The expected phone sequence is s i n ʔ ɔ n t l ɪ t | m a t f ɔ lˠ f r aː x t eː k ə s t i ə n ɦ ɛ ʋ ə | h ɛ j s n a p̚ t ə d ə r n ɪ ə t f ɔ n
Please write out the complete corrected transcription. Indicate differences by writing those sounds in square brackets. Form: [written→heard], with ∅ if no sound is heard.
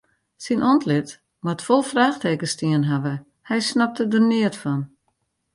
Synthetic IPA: s i n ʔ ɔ n t l ɪ t | m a t f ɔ lˠ f r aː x t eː k ə s t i ə n ɦ [ɛ→a] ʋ ə | h ɛ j s n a p̚ t ə d ə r n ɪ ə t f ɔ n